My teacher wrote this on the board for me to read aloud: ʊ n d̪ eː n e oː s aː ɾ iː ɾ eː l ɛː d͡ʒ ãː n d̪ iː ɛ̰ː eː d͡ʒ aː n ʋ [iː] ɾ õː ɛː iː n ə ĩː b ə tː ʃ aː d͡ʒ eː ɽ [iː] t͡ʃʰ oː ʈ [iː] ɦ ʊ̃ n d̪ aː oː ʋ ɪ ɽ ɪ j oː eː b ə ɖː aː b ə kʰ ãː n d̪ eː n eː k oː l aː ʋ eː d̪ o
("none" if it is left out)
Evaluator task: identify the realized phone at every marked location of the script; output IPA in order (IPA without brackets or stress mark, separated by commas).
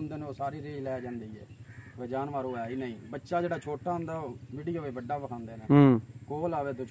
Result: aː, aː, aː